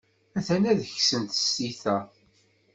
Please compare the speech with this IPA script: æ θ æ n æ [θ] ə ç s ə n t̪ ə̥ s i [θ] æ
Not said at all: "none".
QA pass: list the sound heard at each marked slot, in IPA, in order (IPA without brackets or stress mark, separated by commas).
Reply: ð, θ